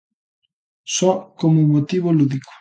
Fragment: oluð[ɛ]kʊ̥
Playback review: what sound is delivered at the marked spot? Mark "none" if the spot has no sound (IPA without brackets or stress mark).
i